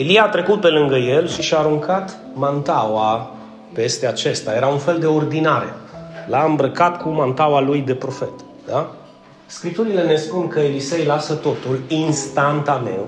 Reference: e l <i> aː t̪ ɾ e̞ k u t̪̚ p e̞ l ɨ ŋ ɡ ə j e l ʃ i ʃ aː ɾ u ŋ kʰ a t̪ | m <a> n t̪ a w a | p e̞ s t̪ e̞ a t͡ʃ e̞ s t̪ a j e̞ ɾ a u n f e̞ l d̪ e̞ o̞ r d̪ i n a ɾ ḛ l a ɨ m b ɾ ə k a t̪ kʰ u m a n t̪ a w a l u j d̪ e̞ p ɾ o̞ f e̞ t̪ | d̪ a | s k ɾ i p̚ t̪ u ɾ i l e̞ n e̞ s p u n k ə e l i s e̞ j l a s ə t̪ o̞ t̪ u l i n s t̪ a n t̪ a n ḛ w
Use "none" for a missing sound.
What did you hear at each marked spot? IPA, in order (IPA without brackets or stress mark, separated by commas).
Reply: i, a